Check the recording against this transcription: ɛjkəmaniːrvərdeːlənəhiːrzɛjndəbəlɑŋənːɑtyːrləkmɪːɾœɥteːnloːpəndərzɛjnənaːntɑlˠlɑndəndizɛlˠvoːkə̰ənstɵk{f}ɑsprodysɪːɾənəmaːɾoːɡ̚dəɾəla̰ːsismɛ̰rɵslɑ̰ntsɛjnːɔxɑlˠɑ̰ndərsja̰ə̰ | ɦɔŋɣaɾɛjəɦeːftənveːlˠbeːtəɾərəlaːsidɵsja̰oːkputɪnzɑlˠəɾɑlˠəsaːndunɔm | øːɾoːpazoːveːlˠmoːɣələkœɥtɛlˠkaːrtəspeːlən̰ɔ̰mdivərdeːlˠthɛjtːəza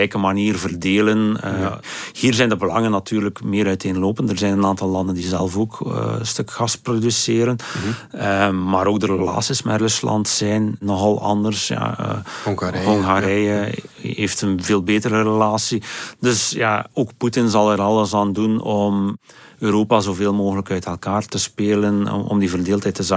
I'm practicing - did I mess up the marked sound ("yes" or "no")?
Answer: yes